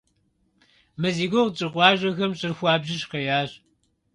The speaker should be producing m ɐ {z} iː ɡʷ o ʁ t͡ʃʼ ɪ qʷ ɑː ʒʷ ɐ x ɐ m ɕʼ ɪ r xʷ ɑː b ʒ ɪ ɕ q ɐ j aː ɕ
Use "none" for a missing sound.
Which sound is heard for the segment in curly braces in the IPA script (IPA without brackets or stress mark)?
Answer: z